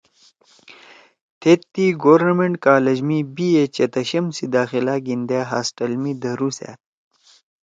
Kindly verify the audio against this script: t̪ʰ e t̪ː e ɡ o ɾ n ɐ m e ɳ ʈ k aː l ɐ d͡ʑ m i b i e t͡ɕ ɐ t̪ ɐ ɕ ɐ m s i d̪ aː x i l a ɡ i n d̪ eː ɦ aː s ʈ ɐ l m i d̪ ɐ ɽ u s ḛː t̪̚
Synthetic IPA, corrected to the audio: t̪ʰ e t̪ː i ɡ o ɾ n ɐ m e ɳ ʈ k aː l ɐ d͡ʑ m i b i e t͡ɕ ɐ t̪ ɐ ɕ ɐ m s i d̪ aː x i l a ɡ i n d̪ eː ɦ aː s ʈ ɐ l m i d̪ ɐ ɾ u s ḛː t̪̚